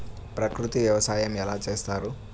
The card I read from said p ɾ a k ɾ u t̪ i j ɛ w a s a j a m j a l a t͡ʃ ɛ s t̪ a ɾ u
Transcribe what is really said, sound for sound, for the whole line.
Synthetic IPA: p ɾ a k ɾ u t̪ i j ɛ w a s a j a m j a l a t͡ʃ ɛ s t̪ a ɾ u